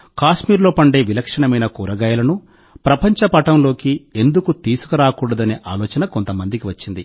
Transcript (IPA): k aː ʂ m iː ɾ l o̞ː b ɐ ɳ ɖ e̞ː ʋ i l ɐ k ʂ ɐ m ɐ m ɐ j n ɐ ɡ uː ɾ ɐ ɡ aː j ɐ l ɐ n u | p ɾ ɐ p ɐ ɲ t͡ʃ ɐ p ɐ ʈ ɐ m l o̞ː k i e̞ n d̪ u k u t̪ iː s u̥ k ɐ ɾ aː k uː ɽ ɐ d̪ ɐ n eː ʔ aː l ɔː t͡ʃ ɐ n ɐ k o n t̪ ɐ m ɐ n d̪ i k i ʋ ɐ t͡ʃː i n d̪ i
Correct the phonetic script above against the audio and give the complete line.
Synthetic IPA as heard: k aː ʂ m iː ɾ l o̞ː p ɐ ɳ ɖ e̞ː ʋ i l ɐ k ʂ ɐ ɳ ɐ m ɐ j n ɐ k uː ɾ ɐ ɡ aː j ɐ l ɐ n u | p ɾ ɐ p ɐ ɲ t͡ʃ ɐ p ɐ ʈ ɐ m l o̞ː k i e̞ n d̪ u k u t̪ iː s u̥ k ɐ ɾ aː k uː ɽ ɐ d̪ ɐ n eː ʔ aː l ɔː t͡ʃ ɐ n ɐ k o n t̪ ɐ m ɐ n d̪ i k i ʋ ɐ t͡ʃː i n d̪ i